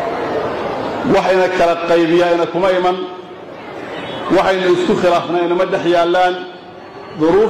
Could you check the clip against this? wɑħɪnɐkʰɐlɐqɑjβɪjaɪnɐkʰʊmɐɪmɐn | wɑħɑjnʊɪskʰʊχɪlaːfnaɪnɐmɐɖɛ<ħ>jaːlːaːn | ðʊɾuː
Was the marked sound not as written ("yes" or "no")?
no